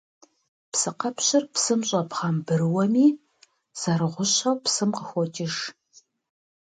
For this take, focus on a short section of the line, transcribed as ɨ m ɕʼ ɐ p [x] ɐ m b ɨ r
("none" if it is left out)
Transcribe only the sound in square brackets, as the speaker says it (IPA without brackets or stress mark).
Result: χ